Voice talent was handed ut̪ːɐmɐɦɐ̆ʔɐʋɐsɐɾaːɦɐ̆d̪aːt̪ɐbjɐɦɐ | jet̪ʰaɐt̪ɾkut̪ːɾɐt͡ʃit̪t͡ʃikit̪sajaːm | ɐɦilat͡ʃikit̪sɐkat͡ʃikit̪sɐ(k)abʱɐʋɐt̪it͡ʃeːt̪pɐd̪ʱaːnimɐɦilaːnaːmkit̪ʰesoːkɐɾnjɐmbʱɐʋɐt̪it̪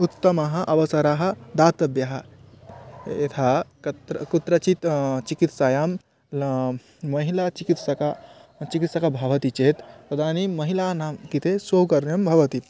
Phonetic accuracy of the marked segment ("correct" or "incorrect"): correct